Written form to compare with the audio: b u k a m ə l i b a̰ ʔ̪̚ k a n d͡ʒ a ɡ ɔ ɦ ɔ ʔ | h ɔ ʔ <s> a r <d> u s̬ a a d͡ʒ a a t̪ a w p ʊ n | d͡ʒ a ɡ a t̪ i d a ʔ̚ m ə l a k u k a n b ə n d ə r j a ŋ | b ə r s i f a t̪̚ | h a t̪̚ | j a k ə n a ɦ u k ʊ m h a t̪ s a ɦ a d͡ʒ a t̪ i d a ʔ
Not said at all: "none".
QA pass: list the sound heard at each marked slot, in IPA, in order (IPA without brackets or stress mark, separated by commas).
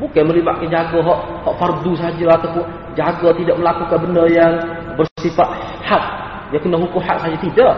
f, d